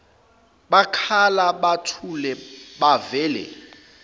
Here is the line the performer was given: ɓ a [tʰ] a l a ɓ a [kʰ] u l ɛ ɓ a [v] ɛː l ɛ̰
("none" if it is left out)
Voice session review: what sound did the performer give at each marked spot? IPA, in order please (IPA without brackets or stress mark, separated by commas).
kʰ, tʰ, v